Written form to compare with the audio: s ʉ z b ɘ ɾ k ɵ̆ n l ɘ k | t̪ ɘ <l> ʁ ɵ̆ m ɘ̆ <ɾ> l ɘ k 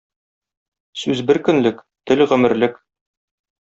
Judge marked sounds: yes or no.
yes, yes

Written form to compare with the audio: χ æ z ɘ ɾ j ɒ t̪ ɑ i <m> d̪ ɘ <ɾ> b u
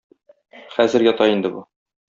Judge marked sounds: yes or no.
no, no

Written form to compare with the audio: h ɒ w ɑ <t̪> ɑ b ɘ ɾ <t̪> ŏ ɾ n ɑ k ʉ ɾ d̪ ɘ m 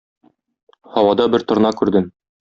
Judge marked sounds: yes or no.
no, yes

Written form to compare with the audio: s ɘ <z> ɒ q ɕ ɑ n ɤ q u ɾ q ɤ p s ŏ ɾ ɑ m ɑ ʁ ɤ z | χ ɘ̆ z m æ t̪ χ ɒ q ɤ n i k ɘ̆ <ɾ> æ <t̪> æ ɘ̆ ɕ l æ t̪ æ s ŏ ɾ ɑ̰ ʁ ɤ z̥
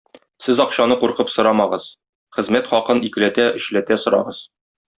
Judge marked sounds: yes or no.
yes, no, yes

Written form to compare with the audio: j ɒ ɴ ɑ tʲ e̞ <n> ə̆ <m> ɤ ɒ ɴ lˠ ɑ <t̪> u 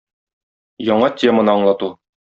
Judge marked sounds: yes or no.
no, no, yes

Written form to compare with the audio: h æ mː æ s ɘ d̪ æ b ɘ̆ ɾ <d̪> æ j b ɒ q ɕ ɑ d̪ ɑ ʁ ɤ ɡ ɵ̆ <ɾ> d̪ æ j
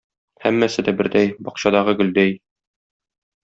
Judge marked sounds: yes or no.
yes, no

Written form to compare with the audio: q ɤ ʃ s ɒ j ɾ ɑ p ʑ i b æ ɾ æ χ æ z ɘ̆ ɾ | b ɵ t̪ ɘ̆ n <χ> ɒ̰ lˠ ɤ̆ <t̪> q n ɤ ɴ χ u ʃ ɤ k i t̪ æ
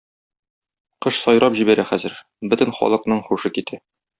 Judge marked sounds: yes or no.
yes, no

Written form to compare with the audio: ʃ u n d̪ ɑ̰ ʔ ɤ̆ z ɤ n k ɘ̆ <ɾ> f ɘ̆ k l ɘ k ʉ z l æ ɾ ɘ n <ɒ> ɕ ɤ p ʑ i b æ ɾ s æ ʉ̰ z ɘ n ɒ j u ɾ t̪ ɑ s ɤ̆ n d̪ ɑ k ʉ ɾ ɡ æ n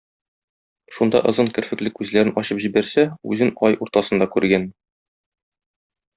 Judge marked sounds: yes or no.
yes, yes

